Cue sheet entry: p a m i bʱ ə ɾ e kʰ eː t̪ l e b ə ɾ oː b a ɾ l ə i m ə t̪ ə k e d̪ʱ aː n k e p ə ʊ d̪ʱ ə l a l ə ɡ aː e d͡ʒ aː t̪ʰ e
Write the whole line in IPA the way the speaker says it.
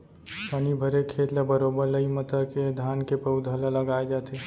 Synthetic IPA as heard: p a n i bʱ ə ɾ e kʰ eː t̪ l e b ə ɾ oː b ə ɾ l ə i m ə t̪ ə k e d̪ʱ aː n k e p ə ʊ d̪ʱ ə l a l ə ɡ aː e d͡ʒ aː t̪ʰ e

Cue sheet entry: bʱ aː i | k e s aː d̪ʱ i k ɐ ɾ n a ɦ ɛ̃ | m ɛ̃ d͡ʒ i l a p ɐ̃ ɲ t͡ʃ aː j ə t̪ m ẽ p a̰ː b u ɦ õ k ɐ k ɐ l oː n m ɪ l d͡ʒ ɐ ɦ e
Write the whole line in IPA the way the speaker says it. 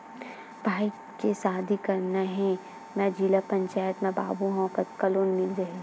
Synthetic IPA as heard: bʱ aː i | k e s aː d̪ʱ i k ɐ ɾ n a ɦ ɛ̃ | m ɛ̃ d͡ʒ i l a p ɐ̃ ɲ t͡ʃ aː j ə t̪ m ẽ b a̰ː b u ɦ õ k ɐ k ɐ l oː n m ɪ l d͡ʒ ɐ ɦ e

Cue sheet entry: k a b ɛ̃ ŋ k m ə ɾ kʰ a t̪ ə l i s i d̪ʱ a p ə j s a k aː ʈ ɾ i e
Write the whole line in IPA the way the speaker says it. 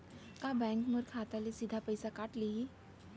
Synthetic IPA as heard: k a b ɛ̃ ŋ k m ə ɾ kʰ a t̪ a l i s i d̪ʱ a p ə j s a k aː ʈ l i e

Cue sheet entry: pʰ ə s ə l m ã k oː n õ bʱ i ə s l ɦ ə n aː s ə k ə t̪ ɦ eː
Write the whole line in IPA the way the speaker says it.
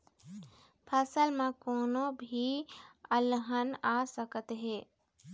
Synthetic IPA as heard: pʰ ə s ə l m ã k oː n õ bʱ i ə l ɦ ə n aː s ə k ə t̪ ɦ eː

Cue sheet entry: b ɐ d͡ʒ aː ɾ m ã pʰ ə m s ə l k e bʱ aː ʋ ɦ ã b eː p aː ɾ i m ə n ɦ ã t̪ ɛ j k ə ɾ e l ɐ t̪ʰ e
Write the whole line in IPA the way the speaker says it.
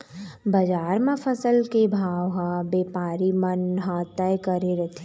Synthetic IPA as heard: b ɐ d͡ʒ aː ɾ m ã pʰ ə s ə l k e bʱ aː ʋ ɦ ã b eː p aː ɾ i m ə n ɦ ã t̪ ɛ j k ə ɾ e ɾ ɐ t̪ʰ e

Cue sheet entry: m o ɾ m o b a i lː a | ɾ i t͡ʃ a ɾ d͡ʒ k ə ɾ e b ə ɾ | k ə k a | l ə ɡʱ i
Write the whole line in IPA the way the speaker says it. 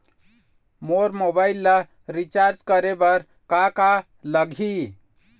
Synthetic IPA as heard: m o ɾ m o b a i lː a | ɾ i t͡ʃ a ɾ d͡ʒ k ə ɾ e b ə ɾ | k a k a | l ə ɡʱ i

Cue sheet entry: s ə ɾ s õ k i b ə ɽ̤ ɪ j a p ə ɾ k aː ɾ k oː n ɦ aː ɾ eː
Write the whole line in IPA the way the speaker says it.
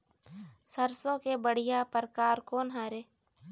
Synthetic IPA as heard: s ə ɾ s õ k e b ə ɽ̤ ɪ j a p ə ɾ k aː ɾ k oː n ɦ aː ɾ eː

